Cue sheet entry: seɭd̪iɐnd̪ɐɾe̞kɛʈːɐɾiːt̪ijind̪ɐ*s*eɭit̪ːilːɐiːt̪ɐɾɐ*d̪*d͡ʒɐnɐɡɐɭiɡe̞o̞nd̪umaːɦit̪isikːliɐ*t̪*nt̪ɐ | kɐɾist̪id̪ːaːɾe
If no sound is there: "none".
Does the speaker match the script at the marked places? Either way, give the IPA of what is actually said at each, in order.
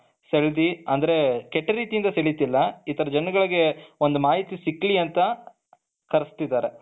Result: s, none, none

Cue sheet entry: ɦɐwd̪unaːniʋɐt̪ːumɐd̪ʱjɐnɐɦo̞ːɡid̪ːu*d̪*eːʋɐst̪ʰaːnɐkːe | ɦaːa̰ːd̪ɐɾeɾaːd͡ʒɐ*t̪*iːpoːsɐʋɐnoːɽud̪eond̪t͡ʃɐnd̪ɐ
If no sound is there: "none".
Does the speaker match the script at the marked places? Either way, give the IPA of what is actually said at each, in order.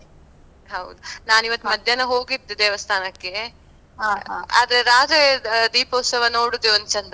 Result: d̪, d̪

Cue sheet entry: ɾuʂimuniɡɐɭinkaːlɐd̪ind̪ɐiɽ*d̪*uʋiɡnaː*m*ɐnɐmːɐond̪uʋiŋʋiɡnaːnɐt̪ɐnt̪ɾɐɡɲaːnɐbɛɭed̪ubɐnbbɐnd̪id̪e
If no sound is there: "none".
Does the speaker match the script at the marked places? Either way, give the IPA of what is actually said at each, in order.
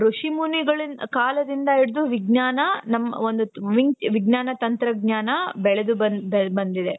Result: d̪, n

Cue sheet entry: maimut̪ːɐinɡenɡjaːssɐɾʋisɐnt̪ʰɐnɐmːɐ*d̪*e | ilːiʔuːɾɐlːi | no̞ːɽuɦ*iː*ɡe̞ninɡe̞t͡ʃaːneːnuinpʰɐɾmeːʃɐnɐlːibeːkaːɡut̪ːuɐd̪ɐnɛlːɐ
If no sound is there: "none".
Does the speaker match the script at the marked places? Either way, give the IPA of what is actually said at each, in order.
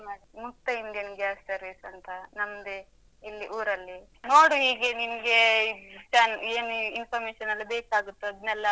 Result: d̪, iː

